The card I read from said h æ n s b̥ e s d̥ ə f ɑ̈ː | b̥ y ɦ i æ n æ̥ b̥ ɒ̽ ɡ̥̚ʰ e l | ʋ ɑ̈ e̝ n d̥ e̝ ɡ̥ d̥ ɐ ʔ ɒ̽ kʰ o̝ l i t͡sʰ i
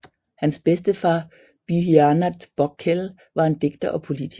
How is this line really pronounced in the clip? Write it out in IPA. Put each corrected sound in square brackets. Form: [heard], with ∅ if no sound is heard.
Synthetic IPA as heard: h æ n s b̥ e s d̥ ə f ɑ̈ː | b̥ y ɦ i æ n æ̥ b̥ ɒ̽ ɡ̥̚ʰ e l | ʋ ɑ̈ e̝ n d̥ e̝ ɡ̥ d̥ ɐ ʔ ɒ̽ [pʰ] o̝ l i t͡sʰ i